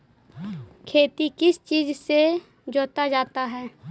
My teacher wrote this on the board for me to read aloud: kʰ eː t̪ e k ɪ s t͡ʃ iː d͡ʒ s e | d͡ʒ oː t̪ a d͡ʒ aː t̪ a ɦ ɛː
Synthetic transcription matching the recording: kʰ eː t̪ i k ɪ s t͡ʃ iː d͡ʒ s e | d͡ʒ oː t̪ a d͡ʒ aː t̪ a ɦ ɛː